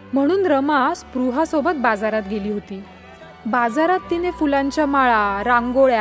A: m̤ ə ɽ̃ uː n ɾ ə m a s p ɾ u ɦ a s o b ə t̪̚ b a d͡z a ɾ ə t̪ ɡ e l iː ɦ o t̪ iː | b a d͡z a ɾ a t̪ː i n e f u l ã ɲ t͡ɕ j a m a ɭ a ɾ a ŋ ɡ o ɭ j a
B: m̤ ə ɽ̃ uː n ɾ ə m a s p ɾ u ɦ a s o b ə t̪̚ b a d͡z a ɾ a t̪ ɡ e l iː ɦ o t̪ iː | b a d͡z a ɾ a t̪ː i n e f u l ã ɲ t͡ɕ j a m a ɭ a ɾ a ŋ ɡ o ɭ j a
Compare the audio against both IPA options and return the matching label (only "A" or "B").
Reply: B